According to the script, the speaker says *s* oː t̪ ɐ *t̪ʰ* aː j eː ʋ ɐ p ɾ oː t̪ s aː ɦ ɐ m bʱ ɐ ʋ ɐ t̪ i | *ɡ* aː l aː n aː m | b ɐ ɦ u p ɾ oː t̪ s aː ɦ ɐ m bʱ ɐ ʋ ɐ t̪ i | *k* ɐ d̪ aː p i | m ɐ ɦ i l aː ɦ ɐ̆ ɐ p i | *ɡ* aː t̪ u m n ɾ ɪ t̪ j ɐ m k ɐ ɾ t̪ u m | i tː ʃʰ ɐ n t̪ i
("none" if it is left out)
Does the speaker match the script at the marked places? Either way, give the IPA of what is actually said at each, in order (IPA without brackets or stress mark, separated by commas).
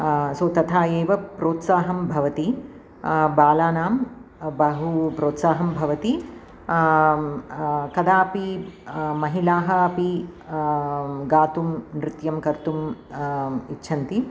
s, t̪ʰ, b, k, ɡ